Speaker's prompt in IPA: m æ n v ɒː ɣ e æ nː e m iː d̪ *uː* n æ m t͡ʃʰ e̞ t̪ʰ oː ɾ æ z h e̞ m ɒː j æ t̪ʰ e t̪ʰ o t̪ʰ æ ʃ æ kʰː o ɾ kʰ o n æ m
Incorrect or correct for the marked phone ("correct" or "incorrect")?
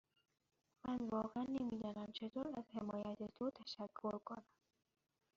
incorrect